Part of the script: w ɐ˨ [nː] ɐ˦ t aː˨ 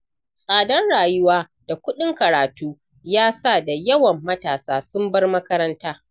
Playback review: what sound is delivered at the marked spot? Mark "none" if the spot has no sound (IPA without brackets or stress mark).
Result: mː